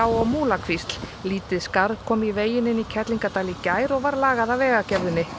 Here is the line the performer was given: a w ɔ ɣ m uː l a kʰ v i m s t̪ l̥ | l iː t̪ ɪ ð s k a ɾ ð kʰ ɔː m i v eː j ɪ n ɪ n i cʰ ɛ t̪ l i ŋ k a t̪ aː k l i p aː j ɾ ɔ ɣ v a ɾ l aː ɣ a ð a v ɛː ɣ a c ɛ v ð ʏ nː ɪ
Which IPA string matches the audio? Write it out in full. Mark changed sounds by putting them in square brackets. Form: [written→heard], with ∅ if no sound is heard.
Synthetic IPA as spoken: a w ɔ ɣ m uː l a kʰ v i [m→∅] s t̪ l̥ | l iː t̪ ɪ ð s k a ɾ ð kʰ ɔː m i v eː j ɪ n ɪ n i cʰ ɛ t̪ l i ŋ k a t̪ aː [k→∅] l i [p→c] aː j ɾ ɔ ɣ v a ɾ l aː ɣ a ð a v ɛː ɣ a c ɛ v ð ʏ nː ɪ